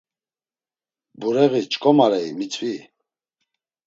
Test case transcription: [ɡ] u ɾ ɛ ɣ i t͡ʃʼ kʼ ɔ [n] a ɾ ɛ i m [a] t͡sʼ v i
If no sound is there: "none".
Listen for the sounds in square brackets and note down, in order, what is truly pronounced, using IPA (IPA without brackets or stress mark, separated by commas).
b, m, i